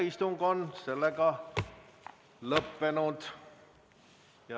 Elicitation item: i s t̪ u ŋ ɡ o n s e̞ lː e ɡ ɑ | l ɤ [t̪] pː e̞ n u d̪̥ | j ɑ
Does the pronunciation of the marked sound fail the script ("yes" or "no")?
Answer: yes